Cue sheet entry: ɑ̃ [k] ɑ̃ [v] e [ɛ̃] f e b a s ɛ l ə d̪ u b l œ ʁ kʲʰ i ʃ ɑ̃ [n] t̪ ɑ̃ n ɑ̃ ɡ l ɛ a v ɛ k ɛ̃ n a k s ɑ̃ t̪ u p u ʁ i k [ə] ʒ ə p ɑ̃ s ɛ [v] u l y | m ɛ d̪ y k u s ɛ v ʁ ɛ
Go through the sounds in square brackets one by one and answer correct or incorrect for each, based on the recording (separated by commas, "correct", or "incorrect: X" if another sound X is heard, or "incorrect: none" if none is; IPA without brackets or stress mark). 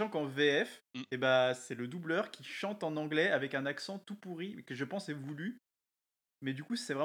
correct, correct, incorrect: ɛ, incorrect: none, correct, correct